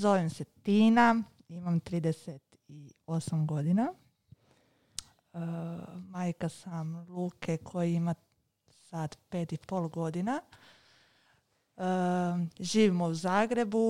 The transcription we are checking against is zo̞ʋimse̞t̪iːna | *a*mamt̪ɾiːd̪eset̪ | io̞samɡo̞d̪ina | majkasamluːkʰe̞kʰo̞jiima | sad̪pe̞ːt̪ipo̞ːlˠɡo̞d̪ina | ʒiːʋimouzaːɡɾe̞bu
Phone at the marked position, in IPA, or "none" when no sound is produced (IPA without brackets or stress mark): i